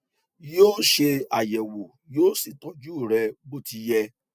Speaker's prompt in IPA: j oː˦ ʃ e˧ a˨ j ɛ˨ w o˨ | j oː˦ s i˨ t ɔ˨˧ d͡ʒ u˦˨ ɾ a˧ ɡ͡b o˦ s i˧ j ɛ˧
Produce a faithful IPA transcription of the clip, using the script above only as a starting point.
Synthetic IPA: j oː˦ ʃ e˧ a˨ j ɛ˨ w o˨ | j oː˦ s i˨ t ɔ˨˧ d͡ʒ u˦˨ ɾ ɛ˧ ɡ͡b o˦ t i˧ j ɛ˧